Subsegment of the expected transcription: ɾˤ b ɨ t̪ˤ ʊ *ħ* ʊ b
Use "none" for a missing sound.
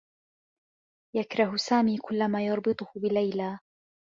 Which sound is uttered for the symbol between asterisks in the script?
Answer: h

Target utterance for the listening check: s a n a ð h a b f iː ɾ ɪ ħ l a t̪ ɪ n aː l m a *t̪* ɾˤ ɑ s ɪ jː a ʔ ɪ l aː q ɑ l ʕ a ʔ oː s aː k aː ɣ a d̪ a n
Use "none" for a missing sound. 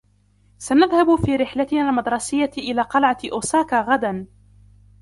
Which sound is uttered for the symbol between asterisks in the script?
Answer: d̪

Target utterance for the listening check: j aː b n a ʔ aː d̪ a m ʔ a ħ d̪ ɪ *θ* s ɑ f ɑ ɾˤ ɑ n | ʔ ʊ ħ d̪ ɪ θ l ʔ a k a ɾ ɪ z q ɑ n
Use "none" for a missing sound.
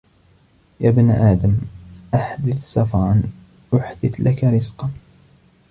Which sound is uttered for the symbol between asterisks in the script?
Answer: θ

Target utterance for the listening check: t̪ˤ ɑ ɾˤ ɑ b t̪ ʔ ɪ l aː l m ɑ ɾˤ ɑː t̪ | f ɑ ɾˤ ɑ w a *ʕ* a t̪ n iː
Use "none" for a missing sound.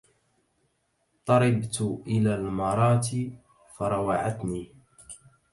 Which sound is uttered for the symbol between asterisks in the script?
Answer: ʕ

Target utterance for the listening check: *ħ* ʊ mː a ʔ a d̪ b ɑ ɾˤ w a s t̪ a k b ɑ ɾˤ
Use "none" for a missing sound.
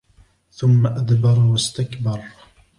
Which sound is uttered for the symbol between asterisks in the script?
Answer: θ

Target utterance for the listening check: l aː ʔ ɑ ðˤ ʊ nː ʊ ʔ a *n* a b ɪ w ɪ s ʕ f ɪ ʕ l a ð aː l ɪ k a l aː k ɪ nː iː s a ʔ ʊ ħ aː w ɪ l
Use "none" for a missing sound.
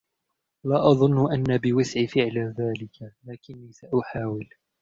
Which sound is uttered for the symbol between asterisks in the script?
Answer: nː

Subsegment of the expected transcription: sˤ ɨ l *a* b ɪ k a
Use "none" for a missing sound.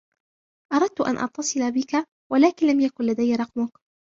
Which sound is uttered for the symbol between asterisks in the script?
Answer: a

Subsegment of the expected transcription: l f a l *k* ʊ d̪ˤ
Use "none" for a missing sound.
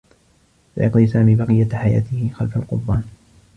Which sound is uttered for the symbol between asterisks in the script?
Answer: q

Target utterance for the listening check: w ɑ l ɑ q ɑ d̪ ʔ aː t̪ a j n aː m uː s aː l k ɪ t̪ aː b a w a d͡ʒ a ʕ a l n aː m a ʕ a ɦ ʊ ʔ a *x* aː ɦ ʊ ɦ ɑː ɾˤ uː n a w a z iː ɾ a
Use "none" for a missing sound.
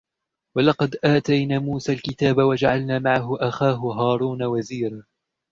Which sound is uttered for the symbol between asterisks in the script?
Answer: x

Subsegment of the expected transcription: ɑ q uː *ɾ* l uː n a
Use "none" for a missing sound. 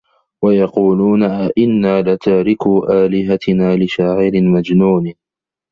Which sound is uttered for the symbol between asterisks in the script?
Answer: none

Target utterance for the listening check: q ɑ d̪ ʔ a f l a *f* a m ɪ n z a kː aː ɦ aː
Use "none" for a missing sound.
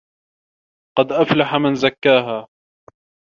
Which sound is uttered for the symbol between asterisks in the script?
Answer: ħ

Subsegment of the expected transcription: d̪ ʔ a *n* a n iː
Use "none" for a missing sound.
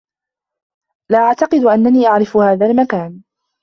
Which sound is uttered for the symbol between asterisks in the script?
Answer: nː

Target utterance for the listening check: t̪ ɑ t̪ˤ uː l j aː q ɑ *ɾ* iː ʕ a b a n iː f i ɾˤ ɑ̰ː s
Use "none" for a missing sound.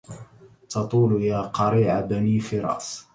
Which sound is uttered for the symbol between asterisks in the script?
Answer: ɾ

